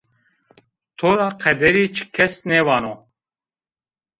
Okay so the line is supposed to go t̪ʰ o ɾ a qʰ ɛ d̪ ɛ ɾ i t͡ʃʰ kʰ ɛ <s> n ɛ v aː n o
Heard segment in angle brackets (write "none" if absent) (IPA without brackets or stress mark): s